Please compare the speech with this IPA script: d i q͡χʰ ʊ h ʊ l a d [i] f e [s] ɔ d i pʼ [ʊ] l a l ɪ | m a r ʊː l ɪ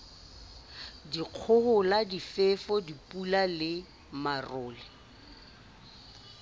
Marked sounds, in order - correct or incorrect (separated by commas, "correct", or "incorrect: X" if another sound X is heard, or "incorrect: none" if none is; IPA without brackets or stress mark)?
correct, incorrect: f, incorrect: u